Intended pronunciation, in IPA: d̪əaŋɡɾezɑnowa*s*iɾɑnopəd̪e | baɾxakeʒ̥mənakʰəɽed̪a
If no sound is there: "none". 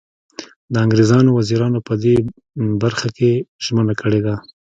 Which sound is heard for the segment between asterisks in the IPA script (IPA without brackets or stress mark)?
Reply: z